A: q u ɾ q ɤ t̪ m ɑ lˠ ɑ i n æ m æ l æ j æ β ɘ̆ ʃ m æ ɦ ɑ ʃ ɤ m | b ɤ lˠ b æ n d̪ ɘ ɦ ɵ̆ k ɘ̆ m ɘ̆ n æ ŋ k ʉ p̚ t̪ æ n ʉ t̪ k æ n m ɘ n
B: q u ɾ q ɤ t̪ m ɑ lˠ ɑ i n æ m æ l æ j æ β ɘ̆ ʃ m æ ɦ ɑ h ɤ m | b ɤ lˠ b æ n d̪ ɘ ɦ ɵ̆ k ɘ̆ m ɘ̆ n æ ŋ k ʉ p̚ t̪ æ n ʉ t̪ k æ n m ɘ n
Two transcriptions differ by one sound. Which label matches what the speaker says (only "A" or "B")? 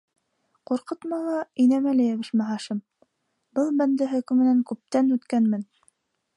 A